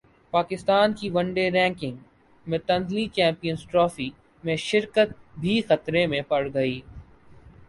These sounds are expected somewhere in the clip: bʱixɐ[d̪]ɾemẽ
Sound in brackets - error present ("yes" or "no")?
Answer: yes